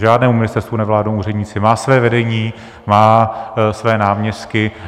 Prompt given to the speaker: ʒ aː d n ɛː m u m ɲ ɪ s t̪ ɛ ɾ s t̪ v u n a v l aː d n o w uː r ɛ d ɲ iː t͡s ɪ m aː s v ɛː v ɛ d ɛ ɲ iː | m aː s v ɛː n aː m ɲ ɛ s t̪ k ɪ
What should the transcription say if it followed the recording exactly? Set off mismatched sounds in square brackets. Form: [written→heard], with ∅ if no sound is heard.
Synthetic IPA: ʒ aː d n ɛː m u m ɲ ɪ s t̪ ɛ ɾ s t̪ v u n [a→ɛ] v l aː d n o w uː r ɛ d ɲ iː t͡s ɪ m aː s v ɛː v ɛ d ɛ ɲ iː | m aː s v ɛː n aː m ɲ ɛ s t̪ k ɪ